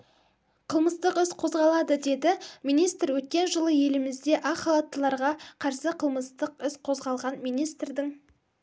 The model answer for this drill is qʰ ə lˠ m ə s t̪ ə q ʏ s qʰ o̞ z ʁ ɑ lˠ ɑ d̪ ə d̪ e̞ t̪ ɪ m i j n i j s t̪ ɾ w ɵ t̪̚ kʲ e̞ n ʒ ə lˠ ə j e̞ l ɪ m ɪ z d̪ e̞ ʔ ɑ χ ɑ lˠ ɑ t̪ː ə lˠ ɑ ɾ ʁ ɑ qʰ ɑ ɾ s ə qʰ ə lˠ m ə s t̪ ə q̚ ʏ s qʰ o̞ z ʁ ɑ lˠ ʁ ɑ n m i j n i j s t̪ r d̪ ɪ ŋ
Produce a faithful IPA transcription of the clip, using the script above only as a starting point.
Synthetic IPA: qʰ ə lˠ m ə s t̪ ə q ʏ s qʰ o̞ z ʁ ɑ lˠ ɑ d̪ ə d̪ e̞ d̪ ɪ m i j n i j s t̪ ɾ w ɵ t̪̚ kʲ e̞ n ʒ ə lˠ ə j e̞ l ɪ m ɪ z d̪ e̞ ʔ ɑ χ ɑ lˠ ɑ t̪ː ə lˠ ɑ ɾ ʁ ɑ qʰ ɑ ɾ s ə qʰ ə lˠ m ə s t̪ ə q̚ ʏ s qʰ o̞ z ʁ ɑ lˠ ʁ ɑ n m i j n i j s t̪ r d̪ ɪ ŋ